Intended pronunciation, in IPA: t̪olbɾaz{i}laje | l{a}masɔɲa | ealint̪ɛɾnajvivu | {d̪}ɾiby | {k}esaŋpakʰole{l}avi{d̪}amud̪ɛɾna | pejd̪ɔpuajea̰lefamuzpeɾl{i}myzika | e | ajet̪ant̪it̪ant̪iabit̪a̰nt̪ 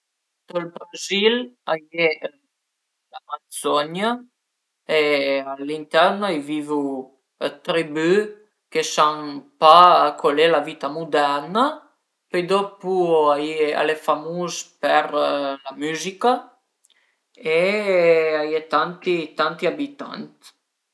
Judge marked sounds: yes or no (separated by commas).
yes, yes, no, yes, yes, no, no